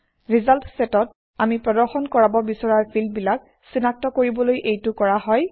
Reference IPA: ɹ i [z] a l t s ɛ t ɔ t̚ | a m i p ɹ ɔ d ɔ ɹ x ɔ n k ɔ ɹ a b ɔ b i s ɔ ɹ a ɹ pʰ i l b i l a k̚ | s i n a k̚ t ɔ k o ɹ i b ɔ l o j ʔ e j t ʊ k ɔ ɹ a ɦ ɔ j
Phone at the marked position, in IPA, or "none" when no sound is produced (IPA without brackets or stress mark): z